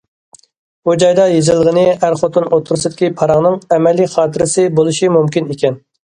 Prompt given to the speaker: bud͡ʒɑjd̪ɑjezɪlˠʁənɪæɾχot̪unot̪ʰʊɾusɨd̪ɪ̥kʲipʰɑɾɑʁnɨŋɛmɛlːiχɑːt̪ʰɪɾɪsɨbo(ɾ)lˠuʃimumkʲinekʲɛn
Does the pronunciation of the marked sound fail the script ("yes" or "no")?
yes